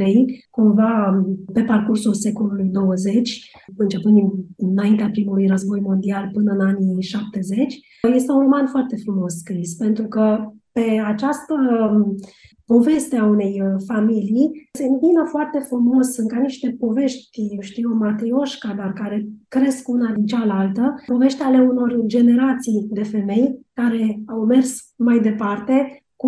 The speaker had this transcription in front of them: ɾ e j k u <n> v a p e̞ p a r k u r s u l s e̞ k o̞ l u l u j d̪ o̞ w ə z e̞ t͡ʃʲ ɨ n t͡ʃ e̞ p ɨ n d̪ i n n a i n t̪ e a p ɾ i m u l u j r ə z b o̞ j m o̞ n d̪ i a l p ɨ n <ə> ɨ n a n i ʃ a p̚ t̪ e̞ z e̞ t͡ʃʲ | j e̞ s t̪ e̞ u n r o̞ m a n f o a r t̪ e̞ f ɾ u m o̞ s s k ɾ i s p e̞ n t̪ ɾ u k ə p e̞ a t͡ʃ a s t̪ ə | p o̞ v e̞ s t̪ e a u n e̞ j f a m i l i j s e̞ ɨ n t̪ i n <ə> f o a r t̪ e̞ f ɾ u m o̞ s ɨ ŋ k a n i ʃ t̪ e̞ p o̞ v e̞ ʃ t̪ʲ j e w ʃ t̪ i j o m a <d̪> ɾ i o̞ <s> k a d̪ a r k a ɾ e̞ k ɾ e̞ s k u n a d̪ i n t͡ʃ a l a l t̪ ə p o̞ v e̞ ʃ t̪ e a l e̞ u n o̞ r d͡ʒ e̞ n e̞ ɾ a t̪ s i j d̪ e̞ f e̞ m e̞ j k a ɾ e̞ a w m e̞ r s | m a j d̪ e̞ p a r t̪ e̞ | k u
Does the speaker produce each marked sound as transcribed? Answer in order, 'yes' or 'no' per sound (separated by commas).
no, yes, yes, no, no